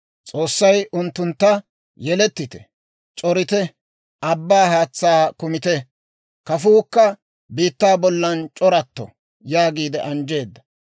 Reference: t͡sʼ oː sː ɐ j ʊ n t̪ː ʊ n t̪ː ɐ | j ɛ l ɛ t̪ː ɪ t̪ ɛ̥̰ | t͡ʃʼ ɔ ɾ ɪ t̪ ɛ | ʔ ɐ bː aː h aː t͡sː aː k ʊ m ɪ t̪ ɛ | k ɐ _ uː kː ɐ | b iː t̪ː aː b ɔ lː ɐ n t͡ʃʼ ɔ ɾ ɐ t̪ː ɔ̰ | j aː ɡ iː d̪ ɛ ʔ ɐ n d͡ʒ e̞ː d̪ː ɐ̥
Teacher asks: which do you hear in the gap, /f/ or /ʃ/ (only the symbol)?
f